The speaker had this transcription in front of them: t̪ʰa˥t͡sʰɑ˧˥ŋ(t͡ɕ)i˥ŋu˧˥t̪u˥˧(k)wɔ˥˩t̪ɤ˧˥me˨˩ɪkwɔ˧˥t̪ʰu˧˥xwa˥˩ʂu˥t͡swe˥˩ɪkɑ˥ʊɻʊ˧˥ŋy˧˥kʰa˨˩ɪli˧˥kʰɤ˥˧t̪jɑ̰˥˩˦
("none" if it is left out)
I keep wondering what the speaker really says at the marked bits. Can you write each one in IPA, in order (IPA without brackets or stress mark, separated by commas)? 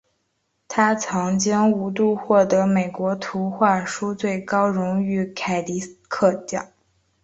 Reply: t͡ɕ, x